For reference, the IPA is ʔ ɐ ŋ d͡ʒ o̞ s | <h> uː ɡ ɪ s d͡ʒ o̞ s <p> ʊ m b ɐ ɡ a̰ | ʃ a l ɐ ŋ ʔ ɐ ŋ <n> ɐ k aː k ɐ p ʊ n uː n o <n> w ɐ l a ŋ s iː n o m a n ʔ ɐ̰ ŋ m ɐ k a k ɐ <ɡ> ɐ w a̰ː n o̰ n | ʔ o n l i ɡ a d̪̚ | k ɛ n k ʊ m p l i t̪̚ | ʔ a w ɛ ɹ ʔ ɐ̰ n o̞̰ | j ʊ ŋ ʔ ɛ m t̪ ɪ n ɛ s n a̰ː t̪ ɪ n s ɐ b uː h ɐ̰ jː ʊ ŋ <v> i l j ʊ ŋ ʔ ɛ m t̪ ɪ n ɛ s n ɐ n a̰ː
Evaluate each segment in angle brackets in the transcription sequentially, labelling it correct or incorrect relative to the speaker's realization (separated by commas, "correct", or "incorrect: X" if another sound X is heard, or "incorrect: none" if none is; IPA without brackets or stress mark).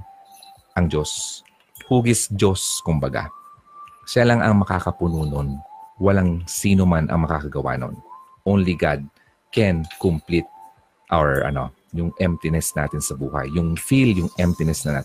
correct, incorrect: k, incorrect: m, correct, correct, incorrect: f